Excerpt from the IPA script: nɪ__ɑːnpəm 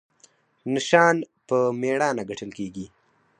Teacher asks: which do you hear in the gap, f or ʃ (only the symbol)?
ʃ